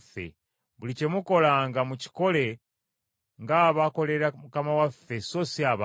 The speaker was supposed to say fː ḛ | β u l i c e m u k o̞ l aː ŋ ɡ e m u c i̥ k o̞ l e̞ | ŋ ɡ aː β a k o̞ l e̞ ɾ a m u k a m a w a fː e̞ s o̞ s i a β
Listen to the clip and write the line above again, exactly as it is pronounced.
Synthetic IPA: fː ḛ | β u l i c e m u k o̞ l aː ŋ ɡ a m u c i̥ k o̞ l e̞ | ŋ ɡ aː β a k o̞ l e̞ ɾ a m u k a m a w a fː e̞ s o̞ s i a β

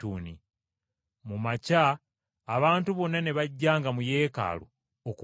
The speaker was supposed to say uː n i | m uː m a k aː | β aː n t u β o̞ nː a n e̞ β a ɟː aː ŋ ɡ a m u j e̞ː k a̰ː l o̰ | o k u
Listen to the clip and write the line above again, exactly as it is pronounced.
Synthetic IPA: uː n i | m u m a c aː | β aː n t u β o̞ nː a n e̞ β a ɟː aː ŋ ɡ a m u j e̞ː k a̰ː l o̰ | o k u

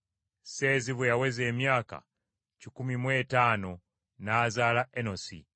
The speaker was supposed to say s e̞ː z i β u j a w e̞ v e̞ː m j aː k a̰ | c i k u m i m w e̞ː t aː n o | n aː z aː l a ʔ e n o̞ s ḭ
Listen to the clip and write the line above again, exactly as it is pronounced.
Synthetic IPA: s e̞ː z i β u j a w e̞ z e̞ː m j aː k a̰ | c i k u m i m w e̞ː t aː n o | n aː z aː l a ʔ e n o̞ s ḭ

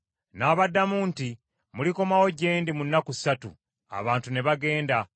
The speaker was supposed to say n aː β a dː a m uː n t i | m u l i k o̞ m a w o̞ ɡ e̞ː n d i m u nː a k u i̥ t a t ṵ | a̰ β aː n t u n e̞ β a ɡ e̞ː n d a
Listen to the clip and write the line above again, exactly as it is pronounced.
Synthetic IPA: n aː β a dː a m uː n t i | m u l i k o̞ m a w o̞ ɟ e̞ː n d i m u nː a k u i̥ s a t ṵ | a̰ β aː n t u n e̞ β a ɡ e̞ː n d a

